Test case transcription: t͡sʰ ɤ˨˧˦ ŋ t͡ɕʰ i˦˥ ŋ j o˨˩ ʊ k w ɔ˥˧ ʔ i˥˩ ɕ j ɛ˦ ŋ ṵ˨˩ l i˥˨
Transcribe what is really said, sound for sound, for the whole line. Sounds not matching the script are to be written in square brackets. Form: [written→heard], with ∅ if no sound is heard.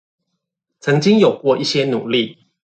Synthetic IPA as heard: t͡sʰ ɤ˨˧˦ ŋ [t͡ɕʰ→t͡ɕ] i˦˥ ŋ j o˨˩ ʊ k w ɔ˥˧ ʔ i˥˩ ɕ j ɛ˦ [ŋ→n] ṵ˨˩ l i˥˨